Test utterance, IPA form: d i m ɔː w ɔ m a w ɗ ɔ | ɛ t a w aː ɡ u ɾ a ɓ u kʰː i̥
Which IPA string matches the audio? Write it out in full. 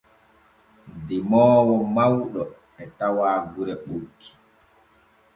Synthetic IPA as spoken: d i m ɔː w ɔ m a w ɗ ɔ | ɛ t a w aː ɡ u ɾ ɛ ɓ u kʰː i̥